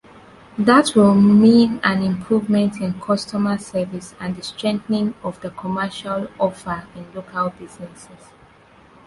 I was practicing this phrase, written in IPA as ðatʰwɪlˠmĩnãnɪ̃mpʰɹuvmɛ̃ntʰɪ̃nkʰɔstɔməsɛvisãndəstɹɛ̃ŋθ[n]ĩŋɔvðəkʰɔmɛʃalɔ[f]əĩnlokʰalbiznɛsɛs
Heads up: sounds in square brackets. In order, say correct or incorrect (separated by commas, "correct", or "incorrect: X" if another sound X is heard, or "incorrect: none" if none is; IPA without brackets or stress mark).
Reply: correct, correct